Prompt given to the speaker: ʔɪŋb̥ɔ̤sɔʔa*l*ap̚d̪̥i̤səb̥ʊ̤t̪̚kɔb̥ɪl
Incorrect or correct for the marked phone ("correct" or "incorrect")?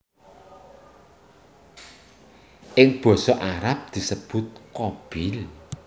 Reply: incorrect